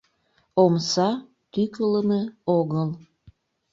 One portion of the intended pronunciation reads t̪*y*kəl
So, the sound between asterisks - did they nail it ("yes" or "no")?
yes